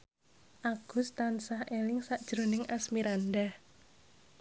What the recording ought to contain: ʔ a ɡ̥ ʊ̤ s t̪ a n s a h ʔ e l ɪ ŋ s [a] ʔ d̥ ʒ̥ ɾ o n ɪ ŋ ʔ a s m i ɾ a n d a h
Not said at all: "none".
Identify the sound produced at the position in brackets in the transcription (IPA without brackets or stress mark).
a